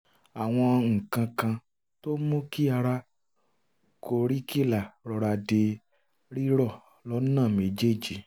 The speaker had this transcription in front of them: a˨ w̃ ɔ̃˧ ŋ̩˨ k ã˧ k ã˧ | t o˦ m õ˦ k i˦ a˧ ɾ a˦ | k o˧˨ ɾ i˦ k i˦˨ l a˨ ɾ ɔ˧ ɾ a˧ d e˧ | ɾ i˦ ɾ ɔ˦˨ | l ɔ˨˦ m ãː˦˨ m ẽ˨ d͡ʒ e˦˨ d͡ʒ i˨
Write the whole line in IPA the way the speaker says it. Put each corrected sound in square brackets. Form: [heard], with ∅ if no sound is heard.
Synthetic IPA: a˨ w̃ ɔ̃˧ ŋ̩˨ k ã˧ k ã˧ | t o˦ m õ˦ k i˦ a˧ ɾ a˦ | k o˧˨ ɾ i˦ k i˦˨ l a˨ ɾ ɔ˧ ɾ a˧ d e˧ | ɾ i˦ ɾ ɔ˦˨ | l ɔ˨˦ [n] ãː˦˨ m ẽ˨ d͡ʒ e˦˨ d͡ʒ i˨